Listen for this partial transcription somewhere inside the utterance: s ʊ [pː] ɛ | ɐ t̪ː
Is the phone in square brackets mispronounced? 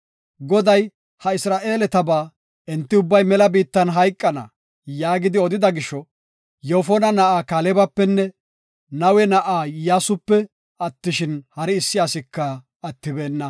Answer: no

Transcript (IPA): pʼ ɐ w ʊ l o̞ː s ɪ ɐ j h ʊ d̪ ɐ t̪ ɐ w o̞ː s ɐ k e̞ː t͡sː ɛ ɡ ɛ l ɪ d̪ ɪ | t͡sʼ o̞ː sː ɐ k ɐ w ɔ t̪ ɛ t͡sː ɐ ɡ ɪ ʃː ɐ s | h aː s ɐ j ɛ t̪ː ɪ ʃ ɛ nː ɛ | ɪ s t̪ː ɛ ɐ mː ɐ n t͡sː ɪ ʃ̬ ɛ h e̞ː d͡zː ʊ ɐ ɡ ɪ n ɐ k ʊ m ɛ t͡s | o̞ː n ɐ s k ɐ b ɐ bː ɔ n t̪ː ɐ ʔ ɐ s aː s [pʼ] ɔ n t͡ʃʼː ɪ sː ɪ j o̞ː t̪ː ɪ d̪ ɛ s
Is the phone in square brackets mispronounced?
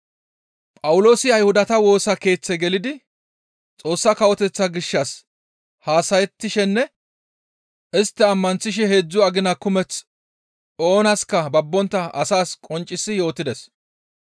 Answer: yes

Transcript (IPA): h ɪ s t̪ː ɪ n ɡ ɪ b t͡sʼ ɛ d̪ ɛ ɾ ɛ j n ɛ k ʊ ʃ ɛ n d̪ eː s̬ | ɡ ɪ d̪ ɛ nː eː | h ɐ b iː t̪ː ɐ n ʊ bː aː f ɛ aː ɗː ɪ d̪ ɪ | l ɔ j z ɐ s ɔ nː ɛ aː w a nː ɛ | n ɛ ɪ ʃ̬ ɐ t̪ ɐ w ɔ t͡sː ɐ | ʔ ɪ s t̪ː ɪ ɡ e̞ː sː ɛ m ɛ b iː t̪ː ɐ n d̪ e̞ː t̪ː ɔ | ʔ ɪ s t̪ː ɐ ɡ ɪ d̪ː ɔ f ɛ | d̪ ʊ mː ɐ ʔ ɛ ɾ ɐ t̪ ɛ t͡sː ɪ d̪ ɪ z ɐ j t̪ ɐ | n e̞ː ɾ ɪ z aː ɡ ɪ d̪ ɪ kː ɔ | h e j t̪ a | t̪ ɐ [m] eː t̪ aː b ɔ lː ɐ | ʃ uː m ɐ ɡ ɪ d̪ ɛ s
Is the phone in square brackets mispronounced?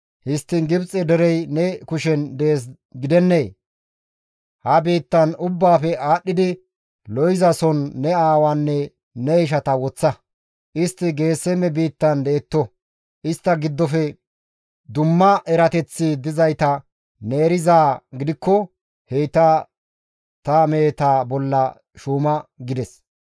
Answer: no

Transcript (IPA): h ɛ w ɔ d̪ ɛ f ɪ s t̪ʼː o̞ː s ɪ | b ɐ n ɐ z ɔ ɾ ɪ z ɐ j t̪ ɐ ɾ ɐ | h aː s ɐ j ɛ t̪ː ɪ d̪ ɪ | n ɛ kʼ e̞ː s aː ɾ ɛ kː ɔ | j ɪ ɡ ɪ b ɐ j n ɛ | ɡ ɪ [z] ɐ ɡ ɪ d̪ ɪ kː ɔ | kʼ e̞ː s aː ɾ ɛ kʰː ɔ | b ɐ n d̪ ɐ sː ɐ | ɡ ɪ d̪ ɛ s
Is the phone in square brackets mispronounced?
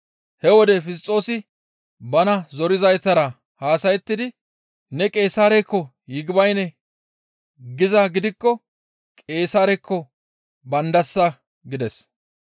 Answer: no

